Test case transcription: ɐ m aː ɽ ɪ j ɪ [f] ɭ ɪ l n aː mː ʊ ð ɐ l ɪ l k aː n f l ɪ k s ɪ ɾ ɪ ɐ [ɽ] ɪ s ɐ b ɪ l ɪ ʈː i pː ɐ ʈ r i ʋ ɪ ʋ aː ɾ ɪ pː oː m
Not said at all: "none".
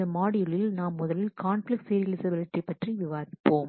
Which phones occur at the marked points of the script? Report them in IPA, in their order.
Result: none, l

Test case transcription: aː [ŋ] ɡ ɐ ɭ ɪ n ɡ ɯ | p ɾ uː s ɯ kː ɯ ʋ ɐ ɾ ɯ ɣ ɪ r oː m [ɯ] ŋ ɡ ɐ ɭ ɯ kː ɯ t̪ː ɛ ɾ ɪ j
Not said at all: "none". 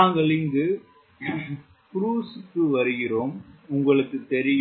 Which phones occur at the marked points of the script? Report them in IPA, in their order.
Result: ŋ, ʊ

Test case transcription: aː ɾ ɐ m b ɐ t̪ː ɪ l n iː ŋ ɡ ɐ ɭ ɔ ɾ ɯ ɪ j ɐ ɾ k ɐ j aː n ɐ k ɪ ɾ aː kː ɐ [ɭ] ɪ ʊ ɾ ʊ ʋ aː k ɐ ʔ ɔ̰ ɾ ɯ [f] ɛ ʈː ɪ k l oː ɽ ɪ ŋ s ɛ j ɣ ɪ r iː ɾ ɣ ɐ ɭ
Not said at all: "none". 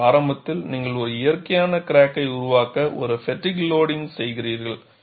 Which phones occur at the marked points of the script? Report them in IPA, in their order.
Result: none, f

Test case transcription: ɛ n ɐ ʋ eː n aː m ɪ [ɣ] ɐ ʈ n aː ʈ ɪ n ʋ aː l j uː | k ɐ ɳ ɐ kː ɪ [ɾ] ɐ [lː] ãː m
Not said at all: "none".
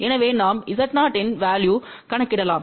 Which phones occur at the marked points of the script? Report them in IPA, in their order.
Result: ð, ɽ, l

